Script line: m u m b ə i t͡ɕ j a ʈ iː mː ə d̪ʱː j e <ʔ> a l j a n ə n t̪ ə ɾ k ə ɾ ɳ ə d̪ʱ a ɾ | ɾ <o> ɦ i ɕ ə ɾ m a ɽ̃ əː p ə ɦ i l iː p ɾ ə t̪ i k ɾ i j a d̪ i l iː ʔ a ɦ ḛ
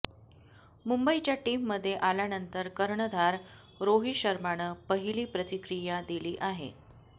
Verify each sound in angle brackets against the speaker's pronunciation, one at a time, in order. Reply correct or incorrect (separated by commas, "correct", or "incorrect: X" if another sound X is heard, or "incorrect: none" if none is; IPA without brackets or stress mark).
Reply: correct, correct